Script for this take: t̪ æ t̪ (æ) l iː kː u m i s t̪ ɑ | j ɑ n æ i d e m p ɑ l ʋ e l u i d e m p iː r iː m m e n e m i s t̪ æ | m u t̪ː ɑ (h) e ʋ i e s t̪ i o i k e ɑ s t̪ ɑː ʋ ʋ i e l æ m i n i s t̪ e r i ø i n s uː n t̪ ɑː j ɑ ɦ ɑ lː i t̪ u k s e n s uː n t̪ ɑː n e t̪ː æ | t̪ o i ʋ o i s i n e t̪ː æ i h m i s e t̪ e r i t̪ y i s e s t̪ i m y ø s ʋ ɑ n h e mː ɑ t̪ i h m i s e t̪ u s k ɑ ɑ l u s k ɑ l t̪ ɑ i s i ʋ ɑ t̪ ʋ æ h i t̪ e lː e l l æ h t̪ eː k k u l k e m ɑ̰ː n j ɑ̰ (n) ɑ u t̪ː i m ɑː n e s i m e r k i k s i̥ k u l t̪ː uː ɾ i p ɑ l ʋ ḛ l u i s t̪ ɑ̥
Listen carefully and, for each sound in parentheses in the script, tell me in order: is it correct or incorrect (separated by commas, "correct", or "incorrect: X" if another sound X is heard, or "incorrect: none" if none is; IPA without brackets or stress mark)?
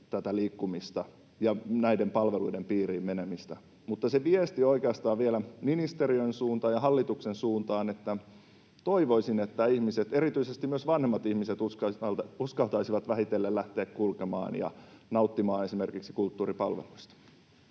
correct, incorrect: s, correct